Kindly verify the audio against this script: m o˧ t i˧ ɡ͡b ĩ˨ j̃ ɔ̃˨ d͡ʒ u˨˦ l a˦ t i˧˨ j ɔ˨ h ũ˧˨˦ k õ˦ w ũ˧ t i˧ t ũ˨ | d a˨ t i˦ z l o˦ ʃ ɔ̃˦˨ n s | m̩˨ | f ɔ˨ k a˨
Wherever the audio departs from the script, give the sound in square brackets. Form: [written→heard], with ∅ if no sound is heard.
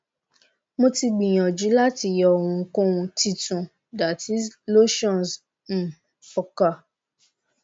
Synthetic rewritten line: m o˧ t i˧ ɡ͡b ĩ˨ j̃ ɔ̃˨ d͡ʒ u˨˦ l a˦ t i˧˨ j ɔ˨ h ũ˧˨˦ k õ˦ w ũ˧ t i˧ t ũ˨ | d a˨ t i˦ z l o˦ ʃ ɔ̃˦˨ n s | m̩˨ | f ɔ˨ k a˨